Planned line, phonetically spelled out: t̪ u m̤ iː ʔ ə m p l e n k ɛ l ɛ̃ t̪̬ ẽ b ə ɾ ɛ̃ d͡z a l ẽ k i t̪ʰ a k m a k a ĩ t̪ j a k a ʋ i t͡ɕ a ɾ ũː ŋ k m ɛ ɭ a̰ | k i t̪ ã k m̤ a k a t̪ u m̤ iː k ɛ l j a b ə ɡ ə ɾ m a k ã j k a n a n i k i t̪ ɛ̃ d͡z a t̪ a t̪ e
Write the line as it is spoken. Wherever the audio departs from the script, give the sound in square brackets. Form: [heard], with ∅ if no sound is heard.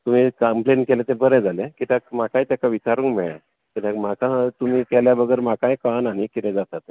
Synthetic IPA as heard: t̪ u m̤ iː [k] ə m p l e n k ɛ l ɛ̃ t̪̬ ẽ b ə ɾ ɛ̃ d͡z a l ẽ k i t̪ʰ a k m a k a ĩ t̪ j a k a ʋ i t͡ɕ a ɾ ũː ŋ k m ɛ ɭ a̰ | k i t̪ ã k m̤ a k a t̪ u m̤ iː k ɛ l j a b ə ɡ ə ɾ m a k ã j k a n a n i k i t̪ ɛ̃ d͡z a t̪ a t̪ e